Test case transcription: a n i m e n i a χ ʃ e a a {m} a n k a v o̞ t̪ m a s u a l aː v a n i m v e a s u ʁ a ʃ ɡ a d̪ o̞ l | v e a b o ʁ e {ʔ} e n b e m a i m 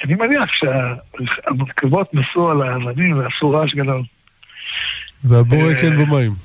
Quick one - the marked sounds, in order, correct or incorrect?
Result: correct, incorrect: k

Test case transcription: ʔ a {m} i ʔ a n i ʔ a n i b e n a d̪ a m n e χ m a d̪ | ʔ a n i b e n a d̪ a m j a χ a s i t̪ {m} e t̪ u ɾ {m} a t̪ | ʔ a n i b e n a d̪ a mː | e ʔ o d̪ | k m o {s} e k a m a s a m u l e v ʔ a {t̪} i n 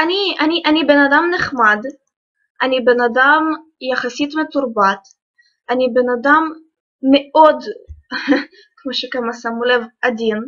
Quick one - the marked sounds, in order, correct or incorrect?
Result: incorrect: n, correct, incorrect: b, incorrect: ʃ, incorrect: d̪

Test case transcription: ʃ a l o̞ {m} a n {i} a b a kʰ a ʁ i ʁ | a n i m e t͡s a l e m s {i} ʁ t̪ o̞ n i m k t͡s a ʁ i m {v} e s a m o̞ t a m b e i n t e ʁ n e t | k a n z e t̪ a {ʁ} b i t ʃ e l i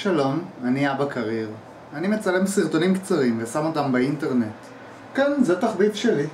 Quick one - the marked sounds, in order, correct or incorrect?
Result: correct, correct, correct, correct, incorrect: χ

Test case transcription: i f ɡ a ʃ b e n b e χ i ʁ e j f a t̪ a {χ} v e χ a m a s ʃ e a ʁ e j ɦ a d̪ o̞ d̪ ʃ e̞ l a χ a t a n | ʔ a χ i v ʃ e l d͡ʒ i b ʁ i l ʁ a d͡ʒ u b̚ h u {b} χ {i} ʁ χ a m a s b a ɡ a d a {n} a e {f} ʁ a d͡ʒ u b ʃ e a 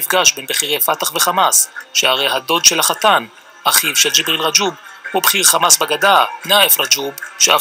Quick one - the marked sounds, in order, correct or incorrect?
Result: correct, correct, correct, correct, correct

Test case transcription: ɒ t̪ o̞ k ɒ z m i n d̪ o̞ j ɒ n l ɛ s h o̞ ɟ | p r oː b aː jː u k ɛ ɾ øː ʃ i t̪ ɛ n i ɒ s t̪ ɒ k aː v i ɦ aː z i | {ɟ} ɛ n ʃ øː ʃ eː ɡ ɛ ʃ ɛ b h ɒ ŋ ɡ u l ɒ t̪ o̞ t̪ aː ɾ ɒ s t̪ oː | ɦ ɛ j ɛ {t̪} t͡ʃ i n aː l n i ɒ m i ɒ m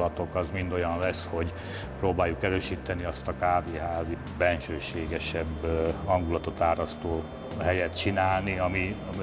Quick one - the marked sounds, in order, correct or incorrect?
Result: incorrect: b, correct

